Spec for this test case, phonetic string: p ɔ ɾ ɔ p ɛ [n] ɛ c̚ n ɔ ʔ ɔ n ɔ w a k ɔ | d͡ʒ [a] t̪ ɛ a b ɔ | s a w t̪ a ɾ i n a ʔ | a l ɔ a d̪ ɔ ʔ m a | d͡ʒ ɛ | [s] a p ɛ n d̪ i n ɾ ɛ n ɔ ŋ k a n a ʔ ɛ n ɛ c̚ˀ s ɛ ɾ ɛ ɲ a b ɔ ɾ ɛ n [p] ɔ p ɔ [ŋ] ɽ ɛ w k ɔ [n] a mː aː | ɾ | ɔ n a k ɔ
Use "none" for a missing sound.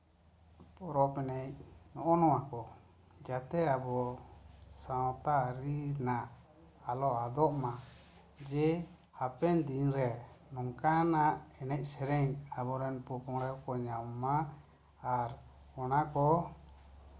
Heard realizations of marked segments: n, a, h, p, ŋ, ɲ

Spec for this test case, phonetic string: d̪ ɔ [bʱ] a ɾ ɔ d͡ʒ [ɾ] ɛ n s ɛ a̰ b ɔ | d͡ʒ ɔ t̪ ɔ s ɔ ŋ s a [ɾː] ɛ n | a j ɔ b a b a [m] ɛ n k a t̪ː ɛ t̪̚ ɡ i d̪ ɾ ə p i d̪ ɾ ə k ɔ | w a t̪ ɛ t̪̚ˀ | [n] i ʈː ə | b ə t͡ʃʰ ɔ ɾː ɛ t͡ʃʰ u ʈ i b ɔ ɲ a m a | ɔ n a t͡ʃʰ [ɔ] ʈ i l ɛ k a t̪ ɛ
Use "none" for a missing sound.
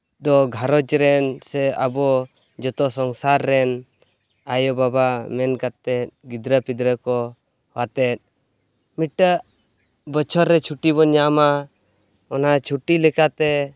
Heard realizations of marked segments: ɡʱ, ɾ, ɾː, m, m, u

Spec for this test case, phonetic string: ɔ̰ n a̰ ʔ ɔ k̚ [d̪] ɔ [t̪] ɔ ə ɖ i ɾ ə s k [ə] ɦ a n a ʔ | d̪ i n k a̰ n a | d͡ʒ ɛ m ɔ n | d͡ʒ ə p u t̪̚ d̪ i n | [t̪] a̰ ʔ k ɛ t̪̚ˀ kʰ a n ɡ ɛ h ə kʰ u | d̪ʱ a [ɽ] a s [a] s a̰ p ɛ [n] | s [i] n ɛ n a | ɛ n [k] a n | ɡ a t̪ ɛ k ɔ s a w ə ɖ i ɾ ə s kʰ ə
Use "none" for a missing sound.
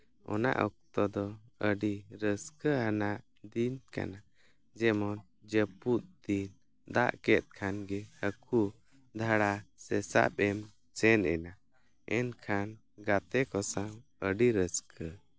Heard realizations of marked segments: t̪, d̪, ə, d̪, ɽ, ɛ, m, ɛ, kʰ

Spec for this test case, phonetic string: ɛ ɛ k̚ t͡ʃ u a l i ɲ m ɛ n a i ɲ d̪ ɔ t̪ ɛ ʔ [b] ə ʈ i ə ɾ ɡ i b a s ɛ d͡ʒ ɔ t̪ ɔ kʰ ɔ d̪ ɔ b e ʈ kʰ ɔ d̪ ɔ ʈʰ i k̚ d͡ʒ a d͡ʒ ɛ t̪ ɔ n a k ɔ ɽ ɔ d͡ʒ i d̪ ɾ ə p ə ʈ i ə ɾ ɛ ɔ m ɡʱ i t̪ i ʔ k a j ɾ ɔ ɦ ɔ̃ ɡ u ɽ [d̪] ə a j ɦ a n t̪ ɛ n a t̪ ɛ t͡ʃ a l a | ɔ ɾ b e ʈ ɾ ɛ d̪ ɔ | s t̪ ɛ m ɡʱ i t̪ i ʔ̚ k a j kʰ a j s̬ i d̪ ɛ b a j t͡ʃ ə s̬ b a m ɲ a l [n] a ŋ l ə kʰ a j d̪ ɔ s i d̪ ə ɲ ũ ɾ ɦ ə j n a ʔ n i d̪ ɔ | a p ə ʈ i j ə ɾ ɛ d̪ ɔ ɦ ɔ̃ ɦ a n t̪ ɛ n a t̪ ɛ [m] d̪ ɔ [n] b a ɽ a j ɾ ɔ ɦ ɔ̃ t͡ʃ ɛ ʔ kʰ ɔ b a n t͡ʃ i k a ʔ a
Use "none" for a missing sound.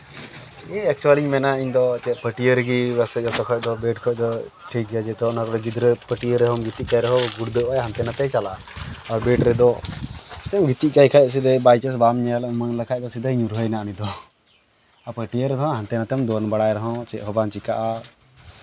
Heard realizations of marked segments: p, d̪, m, m, n

